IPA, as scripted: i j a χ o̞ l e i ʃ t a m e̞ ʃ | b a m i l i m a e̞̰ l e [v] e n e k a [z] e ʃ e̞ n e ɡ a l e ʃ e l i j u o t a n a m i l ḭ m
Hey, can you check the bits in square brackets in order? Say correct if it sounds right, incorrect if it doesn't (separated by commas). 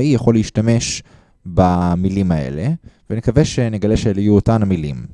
correct, incorrect